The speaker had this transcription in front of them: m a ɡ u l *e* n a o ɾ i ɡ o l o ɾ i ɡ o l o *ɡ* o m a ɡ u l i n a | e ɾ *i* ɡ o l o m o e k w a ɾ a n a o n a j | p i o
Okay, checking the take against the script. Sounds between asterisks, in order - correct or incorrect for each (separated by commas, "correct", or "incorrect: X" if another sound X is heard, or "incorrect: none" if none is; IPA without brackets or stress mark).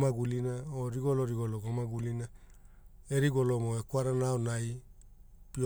incorrect: i, correct, correct